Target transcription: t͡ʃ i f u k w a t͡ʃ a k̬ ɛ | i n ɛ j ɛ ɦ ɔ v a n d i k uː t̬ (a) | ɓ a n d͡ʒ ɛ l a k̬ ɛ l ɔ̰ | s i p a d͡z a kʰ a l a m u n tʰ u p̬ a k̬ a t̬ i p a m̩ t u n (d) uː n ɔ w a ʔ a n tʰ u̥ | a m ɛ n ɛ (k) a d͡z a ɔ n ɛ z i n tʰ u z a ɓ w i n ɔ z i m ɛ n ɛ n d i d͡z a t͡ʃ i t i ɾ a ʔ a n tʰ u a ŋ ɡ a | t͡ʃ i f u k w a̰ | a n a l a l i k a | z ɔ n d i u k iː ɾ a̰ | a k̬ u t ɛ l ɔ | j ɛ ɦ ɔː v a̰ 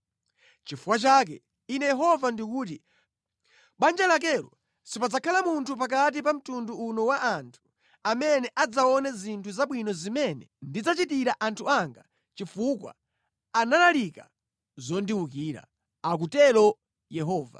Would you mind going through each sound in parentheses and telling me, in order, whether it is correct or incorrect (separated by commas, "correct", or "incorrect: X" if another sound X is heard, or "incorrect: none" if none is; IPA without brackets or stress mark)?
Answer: incorrect: i, correct, incorrect: ʔ